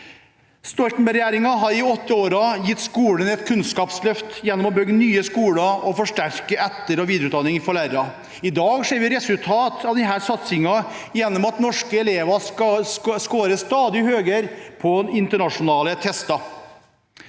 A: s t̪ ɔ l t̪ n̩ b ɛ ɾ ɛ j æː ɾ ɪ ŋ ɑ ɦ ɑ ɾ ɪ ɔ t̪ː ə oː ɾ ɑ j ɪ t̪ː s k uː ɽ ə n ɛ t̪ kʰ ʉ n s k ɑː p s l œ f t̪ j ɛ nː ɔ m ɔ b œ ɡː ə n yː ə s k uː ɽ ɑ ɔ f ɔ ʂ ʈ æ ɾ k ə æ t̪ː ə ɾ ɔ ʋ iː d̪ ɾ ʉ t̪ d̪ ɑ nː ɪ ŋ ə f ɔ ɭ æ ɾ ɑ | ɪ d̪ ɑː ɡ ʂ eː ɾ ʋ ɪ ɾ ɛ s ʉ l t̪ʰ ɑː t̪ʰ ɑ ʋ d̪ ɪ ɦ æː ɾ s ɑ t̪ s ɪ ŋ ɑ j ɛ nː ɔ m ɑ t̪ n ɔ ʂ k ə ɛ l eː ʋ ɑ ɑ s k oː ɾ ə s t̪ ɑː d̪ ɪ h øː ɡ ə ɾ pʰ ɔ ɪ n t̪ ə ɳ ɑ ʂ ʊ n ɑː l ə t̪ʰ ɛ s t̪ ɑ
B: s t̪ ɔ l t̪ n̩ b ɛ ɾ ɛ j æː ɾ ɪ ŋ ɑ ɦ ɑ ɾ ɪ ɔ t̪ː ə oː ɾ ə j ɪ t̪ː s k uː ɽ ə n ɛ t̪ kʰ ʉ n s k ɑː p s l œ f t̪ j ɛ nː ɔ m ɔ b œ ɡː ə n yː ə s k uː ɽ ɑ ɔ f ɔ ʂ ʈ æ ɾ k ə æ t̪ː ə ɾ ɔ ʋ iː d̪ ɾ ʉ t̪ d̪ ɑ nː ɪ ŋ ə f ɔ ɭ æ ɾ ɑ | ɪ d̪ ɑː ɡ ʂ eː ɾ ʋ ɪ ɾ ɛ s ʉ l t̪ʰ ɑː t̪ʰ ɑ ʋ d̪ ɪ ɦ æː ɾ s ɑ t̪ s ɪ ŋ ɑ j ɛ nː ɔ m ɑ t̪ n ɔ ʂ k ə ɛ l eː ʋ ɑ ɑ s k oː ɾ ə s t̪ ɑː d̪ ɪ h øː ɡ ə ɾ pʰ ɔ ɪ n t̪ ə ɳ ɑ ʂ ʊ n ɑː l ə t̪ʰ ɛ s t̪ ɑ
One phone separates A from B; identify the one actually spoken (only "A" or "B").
A